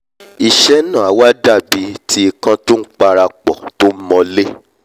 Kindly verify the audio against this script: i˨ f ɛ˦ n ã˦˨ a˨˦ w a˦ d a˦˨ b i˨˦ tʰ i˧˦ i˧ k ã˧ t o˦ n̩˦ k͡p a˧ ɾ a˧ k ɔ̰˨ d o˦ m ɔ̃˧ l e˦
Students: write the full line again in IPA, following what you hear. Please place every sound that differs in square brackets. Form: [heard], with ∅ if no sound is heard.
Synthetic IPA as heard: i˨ [ʃ] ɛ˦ n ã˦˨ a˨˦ w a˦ d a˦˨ b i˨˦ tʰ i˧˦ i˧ k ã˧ t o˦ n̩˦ k͡p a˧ ɾ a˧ [k͡p] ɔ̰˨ [t] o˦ m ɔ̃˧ l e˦